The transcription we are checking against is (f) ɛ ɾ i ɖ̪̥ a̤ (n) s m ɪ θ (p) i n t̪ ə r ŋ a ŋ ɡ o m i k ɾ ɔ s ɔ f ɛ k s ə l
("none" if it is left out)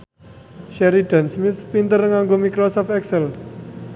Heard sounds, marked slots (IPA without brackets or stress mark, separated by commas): ʃ, n, p